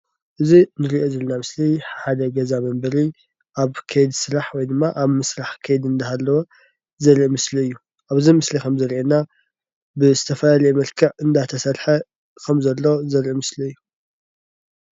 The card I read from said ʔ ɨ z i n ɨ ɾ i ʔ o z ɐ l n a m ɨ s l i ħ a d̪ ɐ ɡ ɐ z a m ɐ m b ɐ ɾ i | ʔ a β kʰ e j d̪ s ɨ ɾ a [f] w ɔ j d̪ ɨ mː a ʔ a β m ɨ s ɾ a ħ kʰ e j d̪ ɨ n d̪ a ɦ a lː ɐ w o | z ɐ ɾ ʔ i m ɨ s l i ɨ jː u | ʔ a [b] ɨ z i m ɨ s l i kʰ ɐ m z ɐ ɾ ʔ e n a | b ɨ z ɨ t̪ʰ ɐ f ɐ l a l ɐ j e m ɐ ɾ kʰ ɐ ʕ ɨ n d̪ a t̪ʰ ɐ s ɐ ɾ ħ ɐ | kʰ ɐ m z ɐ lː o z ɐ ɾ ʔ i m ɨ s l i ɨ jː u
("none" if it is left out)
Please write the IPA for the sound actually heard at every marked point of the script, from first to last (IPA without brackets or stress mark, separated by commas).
ħ, β